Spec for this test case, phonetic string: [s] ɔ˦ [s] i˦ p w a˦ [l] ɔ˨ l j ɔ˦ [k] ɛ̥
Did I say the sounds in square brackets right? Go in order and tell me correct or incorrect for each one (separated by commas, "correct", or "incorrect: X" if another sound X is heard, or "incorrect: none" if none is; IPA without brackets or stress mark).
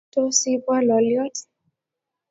incorrect: t, correct, correct, incorrect: t